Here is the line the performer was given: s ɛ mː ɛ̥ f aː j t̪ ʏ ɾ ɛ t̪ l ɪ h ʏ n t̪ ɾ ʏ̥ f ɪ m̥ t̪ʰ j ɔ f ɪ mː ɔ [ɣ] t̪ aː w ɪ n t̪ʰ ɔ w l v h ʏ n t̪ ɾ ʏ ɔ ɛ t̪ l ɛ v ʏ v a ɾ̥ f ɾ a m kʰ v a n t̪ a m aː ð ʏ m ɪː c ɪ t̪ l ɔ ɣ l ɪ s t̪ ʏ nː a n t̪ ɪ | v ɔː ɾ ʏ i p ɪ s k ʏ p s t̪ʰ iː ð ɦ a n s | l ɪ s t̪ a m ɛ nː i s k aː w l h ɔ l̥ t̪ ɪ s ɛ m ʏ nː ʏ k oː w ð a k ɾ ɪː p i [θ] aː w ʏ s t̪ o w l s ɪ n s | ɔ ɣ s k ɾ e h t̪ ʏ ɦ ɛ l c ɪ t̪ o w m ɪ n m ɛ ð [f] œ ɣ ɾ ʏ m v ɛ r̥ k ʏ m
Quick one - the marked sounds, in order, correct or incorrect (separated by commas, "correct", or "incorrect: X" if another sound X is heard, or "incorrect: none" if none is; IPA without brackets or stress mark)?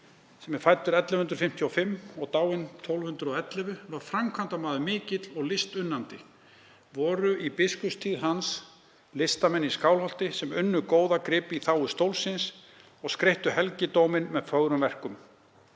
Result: correct, correct, correct